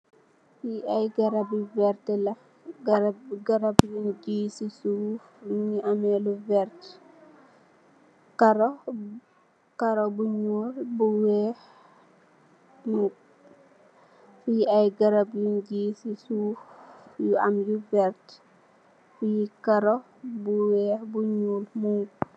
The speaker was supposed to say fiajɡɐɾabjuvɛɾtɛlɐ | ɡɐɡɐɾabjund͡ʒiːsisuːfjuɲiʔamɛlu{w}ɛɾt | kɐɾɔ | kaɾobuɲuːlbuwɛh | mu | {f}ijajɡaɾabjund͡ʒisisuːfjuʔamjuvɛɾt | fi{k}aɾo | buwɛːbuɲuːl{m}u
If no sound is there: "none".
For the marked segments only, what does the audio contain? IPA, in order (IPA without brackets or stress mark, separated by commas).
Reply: v, f, k, m